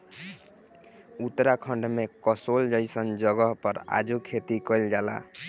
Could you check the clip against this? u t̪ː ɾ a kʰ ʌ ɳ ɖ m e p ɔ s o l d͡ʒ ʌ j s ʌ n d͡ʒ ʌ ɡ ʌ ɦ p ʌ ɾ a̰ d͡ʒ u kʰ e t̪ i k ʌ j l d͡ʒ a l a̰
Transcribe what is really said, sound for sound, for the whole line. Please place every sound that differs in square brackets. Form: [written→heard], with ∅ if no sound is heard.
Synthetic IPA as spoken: u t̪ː ɾ a kʰ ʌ ɳ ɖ m e [p→k] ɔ s o l d͡ʒ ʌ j s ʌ n d͡ʒ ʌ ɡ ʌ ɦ p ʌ ɾ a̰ d͡ʒ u kʰ e t̪ i k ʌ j l d͡ʒ a l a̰